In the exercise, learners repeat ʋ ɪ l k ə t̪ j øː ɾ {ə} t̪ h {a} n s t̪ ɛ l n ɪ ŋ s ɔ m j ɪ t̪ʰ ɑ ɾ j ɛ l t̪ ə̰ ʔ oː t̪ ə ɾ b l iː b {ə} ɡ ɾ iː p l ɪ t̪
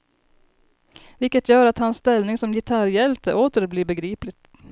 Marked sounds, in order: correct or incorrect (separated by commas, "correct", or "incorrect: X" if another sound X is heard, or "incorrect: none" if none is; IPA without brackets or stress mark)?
incorrect: ɑ, incorrect: ɑ, correct